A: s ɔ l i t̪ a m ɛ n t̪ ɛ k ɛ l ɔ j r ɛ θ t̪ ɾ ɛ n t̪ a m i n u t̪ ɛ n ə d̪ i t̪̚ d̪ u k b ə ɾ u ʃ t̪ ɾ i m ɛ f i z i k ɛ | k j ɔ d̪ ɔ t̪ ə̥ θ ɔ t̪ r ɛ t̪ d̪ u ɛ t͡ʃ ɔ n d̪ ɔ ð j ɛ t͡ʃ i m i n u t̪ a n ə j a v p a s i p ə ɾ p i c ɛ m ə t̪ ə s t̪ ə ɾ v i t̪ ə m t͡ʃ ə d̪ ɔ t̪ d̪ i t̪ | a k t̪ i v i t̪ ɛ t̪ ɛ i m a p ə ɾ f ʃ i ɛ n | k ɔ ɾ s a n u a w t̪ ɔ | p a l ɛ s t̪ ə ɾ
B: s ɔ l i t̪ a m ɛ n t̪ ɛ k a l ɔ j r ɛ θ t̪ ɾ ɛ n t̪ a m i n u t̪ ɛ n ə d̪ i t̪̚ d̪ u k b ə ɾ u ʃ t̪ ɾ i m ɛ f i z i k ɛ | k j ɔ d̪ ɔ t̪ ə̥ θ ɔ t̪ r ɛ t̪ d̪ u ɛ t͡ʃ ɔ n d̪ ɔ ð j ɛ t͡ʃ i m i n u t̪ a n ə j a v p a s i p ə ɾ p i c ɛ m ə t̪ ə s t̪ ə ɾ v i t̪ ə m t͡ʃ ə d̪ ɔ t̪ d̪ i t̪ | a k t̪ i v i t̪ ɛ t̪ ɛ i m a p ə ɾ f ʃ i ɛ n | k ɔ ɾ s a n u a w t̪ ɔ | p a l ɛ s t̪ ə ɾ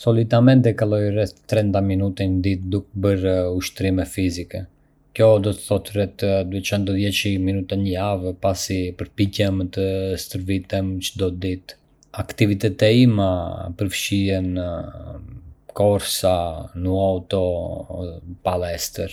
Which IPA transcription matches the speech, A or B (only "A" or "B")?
B